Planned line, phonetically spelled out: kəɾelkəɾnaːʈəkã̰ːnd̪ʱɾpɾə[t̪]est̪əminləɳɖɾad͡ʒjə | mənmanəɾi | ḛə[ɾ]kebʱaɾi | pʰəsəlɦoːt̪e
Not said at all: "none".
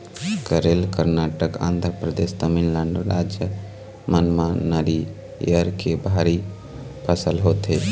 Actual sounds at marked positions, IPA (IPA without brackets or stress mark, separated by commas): d̪, ɾ